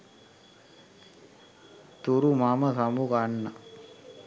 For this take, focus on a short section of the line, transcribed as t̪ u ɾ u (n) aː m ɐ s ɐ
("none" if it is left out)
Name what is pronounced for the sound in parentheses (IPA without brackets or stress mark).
m